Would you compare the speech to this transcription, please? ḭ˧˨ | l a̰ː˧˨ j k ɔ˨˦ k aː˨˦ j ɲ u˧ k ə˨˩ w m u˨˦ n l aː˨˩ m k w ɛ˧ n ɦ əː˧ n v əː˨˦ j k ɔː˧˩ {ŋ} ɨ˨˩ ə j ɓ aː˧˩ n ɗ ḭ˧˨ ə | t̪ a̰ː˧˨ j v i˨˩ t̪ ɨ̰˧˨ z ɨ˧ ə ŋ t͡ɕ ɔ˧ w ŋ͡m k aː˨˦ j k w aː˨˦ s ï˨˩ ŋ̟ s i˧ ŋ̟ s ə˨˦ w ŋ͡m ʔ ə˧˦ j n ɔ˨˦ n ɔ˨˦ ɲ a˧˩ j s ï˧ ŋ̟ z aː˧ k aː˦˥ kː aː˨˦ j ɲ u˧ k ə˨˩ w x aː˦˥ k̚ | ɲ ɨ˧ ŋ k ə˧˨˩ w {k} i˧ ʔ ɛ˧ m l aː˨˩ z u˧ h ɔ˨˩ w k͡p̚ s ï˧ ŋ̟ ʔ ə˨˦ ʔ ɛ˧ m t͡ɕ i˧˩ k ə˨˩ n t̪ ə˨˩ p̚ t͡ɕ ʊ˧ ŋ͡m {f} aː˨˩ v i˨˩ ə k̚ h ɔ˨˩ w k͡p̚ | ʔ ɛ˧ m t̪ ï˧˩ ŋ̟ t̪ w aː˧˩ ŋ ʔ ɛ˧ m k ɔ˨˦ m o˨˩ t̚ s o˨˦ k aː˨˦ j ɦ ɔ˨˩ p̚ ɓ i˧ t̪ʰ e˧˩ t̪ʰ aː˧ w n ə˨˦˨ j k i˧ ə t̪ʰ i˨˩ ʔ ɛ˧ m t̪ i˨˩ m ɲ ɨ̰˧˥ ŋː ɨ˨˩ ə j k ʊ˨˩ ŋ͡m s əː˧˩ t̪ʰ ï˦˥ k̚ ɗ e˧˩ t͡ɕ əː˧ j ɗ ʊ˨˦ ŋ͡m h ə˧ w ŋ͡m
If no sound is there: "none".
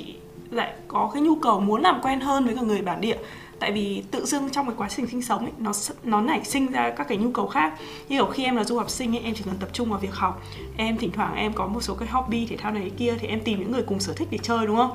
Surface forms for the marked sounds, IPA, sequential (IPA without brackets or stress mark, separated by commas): ŋ, x, v